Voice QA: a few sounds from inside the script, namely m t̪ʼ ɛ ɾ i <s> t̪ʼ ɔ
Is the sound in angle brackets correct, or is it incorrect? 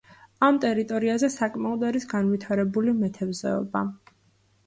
incorrect